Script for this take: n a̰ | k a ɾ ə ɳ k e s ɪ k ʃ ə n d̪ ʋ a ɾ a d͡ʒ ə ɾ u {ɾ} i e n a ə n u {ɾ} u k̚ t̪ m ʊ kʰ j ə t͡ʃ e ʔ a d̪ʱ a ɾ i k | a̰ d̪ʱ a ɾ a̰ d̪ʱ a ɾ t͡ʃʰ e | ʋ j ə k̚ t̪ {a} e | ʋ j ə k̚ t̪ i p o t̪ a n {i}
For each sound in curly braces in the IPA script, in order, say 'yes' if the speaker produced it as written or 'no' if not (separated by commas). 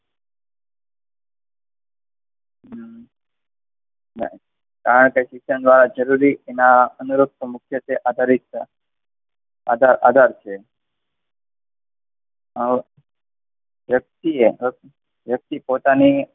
yes, yes, no, yes